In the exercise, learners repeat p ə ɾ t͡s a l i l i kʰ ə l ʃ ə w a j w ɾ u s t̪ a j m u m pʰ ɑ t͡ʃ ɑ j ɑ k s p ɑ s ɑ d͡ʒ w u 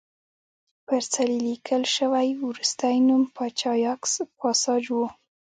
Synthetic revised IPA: p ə ɾ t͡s a l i l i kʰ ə l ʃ ə w a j w ɾ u s t̪ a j n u m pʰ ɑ t͡ʃ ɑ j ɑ k s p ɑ s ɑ d͡ʒ w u